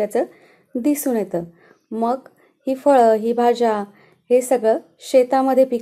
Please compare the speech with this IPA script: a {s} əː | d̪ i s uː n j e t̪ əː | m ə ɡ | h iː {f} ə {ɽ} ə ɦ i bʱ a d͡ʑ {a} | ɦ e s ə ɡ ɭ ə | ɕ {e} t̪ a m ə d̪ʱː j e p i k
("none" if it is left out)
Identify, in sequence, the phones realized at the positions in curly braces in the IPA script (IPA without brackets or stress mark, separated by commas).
t͡s, f, ɭ, a, e